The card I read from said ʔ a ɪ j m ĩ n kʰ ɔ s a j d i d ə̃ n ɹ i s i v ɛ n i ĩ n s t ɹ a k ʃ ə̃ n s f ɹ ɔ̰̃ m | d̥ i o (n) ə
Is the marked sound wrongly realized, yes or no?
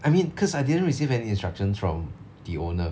no